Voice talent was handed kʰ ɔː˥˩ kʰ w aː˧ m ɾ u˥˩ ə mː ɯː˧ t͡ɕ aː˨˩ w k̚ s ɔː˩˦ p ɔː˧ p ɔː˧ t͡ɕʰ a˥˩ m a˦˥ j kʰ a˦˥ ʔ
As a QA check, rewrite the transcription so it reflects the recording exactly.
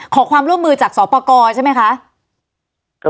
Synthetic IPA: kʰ ɔː˩˦ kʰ w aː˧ m ɾ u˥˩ ə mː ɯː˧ t͡ɕ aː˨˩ k̚ s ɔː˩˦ p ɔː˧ k ɔː˧ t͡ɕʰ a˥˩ m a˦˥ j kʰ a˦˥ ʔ